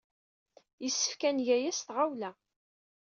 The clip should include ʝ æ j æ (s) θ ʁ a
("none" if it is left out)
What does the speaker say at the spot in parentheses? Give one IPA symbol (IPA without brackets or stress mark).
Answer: s